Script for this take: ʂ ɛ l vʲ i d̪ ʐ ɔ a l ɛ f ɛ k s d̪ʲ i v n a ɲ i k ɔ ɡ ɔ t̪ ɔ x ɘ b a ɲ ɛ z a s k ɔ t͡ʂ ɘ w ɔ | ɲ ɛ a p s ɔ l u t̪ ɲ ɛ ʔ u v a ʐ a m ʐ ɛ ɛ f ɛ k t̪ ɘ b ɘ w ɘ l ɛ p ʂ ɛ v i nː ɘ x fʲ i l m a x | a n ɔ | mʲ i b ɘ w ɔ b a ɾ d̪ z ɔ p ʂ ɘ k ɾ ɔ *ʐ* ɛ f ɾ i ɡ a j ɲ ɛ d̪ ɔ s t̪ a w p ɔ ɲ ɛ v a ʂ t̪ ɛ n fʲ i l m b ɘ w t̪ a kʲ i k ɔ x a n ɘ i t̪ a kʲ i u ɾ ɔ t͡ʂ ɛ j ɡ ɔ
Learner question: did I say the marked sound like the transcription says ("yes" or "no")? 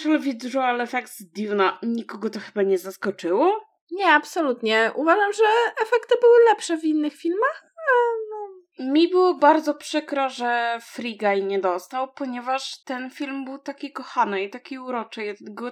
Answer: yes